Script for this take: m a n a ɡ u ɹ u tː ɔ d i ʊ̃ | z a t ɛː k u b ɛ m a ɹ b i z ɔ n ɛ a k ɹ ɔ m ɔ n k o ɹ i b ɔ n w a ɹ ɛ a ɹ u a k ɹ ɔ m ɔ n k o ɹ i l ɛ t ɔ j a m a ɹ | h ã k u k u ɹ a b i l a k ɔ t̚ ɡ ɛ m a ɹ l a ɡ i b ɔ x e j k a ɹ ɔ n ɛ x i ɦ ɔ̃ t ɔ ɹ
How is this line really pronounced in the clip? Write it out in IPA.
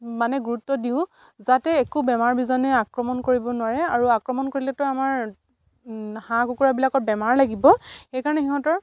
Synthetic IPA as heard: m a n ɛ ɡ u ɹ u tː ɔ d i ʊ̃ | z a t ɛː k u b ɛ m a ɹ b i z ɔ n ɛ a k ɹ ɔ m ɔ n k o ɹ i b ɔ n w a ɹ ɛ a ɹ u a k ɹ ɔ m ɔ n k o ɹ i l ɛ t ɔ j a m a ɹ | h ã k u k u ɹ a b i l a k ɔ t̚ b ɛ m a ɹ l a ɡ i b ɔ x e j k a ɹ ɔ n ɛ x i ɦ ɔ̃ t ɔ ɹ